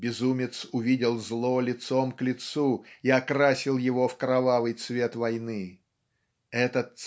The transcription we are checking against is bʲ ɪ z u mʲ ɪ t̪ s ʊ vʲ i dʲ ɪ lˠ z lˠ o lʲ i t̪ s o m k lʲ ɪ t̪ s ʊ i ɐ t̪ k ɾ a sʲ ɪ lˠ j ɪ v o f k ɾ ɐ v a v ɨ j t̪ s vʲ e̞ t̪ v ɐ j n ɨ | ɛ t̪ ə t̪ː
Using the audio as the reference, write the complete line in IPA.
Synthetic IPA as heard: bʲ ɪ z u mʲ ɪ t̪ s ʊ vʲ i dʲ ɪ lˠ z lˠ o lʲ ɪ t̪ s o m k lʲ ɪ t̪ s u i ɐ k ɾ a sʲ ɪ lˠ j ɪ v o f k ɾ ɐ v a v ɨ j t̪ s vʲ e̞ t̪ v ɐ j n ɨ | ɛ t̪ ə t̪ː

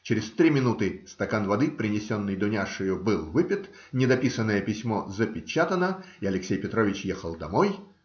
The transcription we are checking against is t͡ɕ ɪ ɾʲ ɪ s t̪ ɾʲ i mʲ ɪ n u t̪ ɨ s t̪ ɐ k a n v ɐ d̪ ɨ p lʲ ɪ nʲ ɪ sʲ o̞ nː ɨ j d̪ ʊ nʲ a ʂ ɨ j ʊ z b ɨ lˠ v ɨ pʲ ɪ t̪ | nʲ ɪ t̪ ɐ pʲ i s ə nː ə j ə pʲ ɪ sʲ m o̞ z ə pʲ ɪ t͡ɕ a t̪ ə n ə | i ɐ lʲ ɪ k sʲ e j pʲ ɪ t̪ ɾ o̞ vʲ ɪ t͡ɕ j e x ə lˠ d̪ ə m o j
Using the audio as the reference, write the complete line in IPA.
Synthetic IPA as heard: t͡ɕ ɪ ɾʲ ɪ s t̪ ɾʲ i mʲ ɪ n u t̪ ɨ s t̪ ɐ k a n v ɐ d̪ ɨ p ɾʲ ɪ nʲ ɪ sʲ o̞ nː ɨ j d̪ ʊ nʲ a ʂ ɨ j ʊ b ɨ lˠ v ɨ pʲ ɪ t̪ | nʲ ɪ d̪ ɐ pʲ i s ə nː ə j ə pʲ ɪ sʲ m o̞ z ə pʲ ɪ t͡ɕ a t̪ ə n ə | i ɐ lʲ ɪ k sʲ e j pʲ ɪ t̪ ɾ o̞ vʲ ɪ t͡ɕ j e x ə lˠ d̪ ɐ m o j

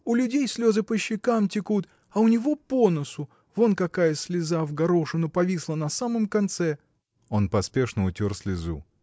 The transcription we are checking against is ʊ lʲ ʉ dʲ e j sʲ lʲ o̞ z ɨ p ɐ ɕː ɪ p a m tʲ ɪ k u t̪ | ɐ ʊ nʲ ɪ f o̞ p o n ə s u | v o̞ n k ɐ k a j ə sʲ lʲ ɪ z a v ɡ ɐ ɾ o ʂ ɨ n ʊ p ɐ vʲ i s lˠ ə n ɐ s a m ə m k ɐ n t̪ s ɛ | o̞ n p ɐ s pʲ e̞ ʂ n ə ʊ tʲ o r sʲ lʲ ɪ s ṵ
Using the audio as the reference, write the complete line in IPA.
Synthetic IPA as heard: ʊ lʲ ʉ dʲ e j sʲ lʲ o̞ z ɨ p ə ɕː ɪ k a m tʲ ɪ k u t̪ | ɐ ʊ nʲ ɪ v o̞ p o n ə s ʊ | v o̞ n k ɐ k a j ə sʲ lʲ ɪ z a v ɡ ɐ ɾ o ʂ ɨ n ʊ p ɐ vʲ i s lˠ ə n ɐ s a m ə m k ɐ n t̪ s ɛ | o̞ n p ɐ s pʲ e̞ ʂ n ə ʊ tʲ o r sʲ lʲ ɪ z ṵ

